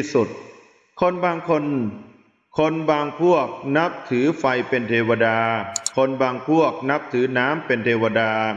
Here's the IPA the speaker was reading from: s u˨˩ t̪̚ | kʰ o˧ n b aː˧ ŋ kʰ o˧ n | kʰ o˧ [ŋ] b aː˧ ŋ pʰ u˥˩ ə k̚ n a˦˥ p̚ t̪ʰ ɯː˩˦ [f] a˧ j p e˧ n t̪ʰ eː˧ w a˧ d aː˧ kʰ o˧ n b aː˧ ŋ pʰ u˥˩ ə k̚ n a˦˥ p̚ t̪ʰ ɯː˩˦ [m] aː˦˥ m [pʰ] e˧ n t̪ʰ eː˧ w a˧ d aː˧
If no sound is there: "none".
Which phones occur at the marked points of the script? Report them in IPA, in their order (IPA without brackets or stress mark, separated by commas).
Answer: n, f, n, p